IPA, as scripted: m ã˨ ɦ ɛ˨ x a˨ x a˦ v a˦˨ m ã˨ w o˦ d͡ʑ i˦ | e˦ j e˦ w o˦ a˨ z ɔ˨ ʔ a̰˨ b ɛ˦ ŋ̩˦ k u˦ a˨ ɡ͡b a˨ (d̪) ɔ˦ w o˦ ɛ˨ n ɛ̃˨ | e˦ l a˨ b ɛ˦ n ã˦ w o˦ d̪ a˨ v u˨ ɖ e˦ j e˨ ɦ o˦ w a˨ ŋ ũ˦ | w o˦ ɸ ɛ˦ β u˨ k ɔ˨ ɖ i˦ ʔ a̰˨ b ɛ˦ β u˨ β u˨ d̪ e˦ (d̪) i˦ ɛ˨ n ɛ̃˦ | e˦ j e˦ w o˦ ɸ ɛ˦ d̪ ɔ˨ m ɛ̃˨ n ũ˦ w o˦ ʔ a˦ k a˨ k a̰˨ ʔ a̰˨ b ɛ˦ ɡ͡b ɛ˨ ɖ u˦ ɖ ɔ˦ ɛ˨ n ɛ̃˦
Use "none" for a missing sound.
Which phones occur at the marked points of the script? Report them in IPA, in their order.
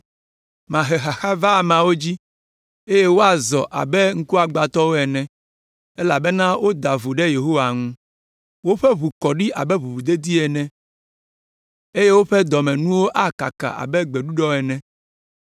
t̪, d̪

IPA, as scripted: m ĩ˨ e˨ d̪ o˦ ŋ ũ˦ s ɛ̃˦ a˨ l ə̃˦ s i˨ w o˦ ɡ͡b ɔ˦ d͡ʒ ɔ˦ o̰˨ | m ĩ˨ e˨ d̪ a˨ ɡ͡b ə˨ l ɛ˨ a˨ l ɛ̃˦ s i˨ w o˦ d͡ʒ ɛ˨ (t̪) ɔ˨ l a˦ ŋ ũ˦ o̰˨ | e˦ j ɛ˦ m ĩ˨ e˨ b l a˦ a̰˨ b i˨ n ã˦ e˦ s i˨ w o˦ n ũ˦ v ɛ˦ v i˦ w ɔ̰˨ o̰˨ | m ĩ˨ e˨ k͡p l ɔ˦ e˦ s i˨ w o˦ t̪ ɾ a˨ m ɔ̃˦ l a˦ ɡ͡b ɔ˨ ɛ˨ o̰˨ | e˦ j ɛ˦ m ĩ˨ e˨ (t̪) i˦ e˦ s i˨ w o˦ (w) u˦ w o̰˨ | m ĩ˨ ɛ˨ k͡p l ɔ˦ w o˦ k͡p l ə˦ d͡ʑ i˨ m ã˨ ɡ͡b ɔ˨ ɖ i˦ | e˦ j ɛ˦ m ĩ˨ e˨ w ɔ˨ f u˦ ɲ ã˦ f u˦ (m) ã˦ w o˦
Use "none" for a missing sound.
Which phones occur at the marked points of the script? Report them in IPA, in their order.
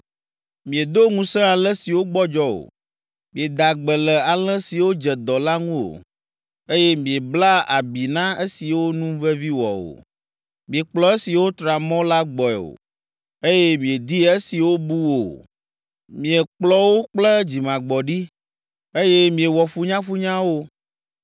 d̪, d̪, b, ɲ

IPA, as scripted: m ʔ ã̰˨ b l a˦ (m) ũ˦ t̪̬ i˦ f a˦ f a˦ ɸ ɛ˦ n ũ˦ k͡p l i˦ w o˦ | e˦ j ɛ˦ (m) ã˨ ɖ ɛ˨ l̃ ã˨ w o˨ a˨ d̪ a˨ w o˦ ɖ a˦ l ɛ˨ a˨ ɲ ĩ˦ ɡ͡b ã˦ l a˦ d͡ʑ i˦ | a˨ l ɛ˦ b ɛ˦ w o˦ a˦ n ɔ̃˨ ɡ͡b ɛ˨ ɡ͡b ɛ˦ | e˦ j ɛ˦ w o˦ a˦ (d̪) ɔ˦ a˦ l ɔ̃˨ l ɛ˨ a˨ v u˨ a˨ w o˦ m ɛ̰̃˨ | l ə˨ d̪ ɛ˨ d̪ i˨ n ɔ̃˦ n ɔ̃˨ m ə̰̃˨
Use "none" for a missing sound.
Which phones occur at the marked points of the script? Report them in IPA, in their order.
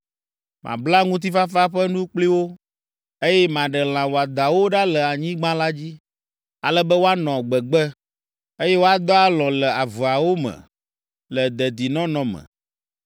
ŋ, m, d̪

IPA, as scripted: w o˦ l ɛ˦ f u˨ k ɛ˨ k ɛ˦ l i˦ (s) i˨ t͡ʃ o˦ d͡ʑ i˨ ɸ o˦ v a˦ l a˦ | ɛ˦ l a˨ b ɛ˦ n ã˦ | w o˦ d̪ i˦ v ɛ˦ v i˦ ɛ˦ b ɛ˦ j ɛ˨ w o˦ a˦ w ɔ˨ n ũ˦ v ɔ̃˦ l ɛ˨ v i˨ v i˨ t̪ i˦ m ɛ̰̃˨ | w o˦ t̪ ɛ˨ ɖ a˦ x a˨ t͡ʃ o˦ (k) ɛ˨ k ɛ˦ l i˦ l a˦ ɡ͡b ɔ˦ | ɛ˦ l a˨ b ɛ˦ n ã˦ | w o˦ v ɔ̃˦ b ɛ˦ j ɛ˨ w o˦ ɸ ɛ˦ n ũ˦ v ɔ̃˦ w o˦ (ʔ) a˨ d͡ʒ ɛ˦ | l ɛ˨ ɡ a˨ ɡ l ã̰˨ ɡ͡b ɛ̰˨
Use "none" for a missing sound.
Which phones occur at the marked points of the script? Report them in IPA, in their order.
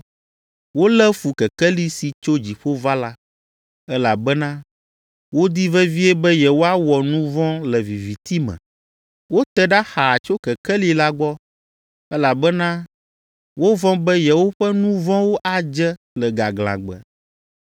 s, k, ʔ

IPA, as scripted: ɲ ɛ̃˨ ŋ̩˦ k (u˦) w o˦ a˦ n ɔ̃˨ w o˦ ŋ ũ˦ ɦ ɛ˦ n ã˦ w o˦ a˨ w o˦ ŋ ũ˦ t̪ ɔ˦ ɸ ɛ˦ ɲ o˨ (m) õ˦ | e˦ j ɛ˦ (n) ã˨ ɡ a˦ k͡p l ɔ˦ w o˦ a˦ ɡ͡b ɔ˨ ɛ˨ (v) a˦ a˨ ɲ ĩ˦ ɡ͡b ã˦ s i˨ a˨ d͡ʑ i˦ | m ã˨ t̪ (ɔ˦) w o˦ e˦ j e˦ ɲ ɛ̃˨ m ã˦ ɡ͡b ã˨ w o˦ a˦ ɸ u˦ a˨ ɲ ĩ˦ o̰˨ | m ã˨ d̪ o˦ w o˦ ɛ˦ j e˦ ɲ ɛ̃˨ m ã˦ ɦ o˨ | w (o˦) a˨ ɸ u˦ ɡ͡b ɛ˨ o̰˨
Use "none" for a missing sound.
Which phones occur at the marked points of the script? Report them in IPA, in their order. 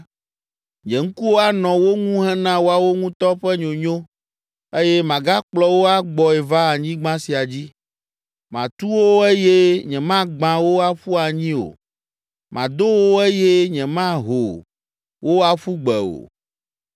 u˦, ɲ, m, v, u˦, o˦

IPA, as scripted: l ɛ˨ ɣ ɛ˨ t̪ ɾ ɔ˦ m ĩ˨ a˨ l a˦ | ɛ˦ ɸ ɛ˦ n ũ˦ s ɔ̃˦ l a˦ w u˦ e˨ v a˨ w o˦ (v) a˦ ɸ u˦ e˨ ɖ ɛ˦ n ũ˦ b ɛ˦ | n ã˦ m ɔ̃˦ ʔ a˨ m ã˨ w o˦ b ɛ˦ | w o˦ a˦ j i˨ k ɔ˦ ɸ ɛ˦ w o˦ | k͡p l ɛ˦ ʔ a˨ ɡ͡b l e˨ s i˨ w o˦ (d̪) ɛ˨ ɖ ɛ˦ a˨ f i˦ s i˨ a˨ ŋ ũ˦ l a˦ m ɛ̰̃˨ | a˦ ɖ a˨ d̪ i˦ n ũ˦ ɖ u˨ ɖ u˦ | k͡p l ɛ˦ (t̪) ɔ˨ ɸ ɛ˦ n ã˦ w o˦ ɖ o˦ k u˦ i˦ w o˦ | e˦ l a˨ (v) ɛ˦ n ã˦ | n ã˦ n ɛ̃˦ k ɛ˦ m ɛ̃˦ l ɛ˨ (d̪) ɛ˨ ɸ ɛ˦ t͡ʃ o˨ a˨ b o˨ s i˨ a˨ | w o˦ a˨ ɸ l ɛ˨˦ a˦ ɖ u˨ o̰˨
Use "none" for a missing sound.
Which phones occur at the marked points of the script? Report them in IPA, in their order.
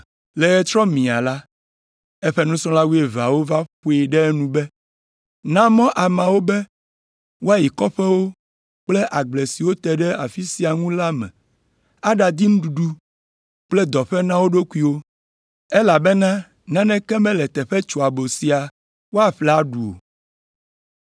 v, t̪, d̪, b, t̪

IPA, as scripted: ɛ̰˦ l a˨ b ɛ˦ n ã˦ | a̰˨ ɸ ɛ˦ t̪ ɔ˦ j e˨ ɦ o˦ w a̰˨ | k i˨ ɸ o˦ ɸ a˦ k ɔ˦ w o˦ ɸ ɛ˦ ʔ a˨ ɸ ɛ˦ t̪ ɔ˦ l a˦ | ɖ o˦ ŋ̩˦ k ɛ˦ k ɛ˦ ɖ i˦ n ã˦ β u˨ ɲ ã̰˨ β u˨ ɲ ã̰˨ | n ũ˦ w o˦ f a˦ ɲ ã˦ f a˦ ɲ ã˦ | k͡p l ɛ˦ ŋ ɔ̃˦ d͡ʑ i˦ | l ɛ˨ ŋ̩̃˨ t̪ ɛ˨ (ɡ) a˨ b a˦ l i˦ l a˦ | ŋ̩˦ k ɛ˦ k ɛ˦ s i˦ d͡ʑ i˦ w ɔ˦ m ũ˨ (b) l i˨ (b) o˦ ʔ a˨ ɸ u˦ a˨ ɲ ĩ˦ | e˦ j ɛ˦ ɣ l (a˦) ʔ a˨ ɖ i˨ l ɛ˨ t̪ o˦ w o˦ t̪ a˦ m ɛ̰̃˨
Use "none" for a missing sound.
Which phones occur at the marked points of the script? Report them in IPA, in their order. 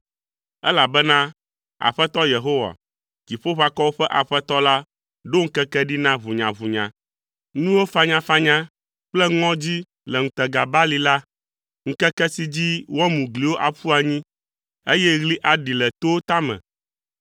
ɡ, ɡ, w, i˦

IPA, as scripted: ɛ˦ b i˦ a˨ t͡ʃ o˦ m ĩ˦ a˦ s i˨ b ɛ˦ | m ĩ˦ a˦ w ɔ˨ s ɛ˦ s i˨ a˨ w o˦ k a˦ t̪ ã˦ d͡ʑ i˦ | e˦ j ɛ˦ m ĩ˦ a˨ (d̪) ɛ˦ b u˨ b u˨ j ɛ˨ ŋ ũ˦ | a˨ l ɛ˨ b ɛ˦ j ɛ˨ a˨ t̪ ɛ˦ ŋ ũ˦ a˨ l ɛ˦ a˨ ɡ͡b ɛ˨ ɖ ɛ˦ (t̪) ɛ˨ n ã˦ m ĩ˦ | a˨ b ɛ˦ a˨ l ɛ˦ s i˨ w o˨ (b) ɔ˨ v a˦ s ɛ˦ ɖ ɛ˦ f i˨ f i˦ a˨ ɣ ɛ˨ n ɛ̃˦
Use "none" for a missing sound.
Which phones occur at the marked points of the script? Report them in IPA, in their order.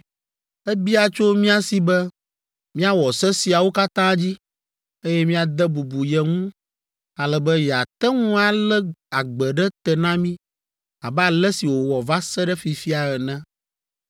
d̪, t̪, w

